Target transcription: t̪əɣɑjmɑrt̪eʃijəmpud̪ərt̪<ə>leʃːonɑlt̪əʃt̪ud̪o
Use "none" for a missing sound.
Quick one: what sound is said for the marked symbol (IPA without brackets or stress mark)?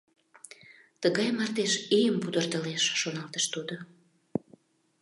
ə